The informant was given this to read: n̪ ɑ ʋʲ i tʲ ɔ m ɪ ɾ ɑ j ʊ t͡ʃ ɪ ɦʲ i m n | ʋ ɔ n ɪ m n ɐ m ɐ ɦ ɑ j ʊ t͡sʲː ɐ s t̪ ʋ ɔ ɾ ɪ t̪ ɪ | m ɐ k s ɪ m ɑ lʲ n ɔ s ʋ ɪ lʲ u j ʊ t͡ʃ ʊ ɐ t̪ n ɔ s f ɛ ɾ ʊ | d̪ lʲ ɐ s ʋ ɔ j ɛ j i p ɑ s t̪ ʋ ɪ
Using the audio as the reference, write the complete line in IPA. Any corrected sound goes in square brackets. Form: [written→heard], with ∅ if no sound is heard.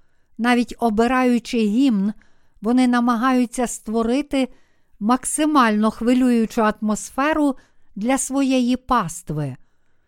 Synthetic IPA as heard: n̪ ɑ ʋʲ i tʲ ɔ [m→b] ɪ ɾ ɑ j ʊ t͡ʃ ɪ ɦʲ i m n | ʋ ɔ n ɪ [m→∅] n ɐ m ɐ ɦ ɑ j ʊ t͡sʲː ɐ s t̪ ʋ ɔ ɾ ɪ t̪ ɪ | m ɐ k s ɪ m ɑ lʲ n ɔ [s→x] ʋ ɪ lʲ u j ʊ t͡ʃ ʊ ɐ t̪ [n→m] ɔ s f ɛ ɾ ʊ | d̪ lʲ ɐ s ʋ ɔ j ɛ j i p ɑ s t̪ ʋ ɪ